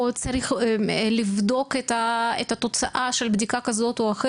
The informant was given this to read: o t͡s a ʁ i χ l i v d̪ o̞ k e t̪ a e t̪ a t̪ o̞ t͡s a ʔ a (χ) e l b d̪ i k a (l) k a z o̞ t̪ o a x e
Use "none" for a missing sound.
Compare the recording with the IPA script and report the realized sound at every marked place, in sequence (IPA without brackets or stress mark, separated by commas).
ʃ, none